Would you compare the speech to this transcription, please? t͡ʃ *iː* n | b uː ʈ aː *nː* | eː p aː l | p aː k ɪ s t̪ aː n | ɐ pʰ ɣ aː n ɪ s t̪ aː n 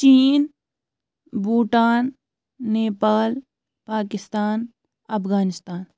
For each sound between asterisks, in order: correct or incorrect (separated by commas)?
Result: correct, correct